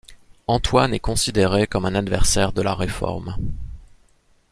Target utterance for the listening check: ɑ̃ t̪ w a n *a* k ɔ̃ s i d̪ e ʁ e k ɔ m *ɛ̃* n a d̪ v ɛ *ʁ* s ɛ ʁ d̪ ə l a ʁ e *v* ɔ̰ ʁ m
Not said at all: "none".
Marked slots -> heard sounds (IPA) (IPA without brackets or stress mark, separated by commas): ɛ, ɛ̃, ʁ, f